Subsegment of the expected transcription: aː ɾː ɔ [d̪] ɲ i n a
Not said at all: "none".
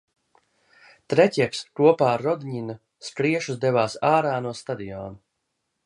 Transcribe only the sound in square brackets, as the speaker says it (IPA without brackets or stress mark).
d̪